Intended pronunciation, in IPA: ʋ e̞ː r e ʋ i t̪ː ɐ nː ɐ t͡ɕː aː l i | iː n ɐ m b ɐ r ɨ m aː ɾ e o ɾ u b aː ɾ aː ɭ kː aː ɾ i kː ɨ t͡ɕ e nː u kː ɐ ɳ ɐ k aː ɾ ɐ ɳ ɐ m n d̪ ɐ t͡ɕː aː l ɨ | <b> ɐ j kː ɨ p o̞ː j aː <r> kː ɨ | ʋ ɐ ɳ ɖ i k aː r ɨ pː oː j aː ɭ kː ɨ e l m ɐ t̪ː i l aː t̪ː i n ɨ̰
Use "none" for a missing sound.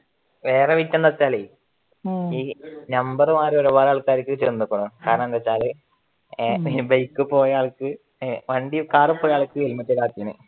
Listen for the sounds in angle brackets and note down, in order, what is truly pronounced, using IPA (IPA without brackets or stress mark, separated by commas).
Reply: b, ɭ